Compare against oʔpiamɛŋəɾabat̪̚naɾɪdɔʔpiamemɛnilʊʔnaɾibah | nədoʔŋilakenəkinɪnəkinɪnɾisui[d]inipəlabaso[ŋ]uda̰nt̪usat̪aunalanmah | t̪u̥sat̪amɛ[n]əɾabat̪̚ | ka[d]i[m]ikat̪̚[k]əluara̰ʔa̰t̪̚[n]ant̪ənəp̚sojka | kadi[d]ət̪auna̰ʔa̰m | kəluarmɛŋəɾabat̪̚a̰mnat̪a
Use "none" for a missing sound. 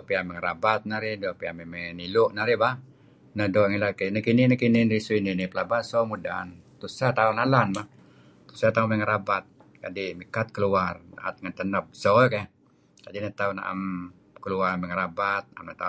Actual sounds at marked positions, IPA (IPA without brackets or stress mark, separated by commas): n, m, ŋ, d, m, k, ŋ, n